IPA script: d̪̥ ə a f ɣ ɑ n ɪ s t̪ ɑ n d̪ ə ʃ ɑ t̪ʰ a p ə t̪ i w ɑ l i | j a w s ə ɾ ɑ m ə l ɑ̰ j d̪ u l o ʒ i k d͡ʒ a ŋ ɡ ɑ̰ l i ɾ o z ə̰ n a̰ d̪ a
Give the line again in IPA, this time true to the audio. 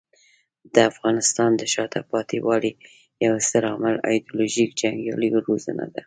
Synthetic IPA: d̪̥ ə a f ɣ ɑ n ɪ s t̪ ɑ n d̪ ə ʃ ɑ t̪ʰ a p ɑ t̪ i w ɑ l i | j a w s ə ɾ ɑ m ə l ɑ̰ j d̪ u l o ʒ i k d͡ʒ a ŋ ɡ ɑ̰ l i ɾ o z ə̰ n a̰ d̪ a